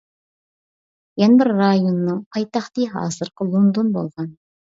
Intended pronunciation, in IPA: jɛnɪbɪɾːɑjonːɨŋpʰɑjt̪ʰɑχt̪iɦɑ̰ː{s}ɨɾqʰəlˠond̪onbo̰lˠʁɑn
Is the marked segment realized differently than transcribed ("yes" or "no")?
yes